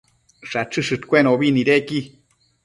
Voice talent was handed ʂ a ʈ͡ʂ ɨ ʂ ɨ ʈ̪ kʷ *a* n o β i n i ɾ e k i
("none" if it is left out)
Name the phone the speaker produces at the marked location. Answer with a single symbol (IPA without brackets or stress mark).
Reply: e